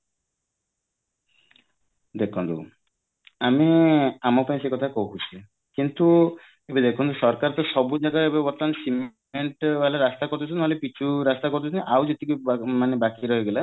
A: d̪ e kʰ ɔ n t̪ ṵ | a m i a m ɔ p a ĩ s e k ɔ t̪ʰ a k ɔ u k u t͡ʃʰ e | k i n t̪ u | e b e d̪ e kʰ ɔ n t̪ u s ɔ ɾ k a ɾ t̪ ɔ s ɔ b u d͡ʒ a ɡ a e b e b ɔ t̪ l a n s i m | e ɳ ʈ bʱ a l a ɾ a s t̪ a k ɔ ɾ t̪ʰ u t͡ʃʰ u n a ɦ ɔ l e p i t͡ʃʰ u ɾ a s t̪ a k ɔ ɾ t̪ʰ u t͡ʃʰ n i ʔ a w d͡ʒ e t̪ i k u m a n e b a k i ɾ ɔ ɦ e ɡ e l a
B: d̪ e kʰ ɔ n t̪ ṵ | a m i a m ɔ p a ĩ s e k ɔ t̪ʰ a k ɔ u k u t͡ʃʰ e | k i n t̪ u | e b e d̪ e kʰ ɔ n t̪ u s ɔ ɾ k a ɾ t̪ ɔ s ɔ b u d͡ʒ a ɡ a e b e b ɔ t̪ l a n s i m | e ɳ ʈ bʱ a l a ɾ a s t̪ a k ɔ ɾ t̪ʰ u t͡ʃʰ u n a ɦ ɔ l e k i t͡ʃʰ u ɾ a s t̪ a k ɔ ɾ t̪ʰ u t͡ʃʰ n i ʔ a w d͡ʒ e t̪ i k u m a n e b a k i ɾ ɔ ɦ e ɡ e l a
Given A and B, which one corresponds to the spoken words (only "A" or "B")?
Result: A